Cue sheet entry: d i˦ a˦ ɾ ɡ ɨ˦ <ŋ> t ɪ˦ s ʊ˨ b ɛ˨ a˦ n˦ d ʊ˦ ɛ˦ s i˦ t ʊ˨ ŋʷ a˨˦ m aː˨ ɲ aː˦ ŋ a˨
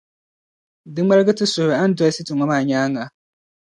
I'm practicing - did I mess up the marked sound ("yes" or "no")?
yes